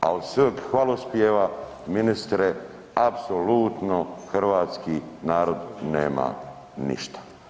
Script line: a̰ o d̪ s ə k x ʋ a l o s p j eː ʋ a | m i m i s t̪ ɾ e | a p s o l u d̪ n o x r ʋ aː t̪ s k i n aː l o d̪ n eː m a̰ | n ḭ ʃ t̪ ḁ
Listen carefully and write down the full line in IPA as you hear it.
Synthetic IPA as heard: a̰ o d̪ s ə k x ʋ a l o s p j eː ʋ a | m i n i s t̪ ɾ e | a p s o l u t̪ n o x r ʋ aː t̪ s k i n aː ɾ o d̪ n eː m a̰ | n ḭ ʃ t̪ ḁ